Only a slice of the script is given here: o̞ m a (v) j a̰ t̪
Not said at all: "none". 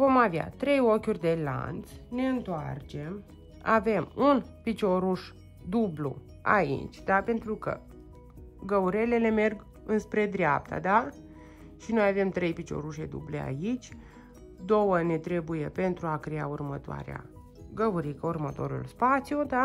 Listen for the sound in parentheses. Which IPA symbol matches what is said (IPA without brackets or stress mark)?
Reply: v